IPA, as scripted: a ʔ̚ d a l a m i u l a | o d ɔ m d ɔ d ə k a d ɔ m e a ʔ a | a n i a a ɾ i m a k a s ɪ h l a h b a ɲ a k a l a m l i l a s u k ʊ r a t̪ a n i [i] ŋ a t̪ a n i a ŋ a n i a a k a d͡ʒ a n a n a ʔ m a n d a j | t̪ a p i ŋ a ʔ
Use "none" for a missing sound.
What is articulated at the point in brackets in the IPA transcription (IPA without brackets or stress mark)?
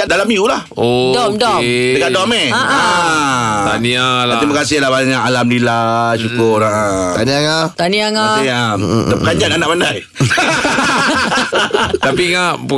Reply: a